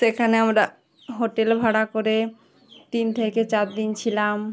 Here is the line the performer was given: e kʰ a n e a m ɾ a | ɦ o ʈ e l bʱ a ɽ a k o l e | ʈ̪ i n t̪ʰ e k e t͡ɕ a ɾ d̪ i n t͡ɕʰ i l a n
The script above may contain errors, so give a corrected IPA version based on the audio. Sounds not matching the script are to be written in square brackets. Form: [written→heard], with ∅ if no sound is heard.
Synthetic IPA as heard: e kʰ a n e a m ɾ a | ɦ o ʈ e l bʱ a ɽ a k o [l→ɾ] e | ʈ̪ i n t̪ʰ e k e t͡ɕ a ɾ d̪ i n t͡ɕʰ i l a [n→m]